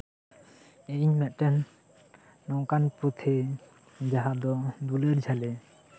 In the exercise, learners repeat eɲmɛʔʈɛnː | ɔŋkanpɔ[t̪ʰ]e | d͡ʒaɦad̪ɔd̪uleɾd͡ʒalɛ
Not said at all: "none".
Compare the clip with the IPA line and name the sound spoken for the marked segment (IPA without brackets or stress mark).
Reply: t̪ʰ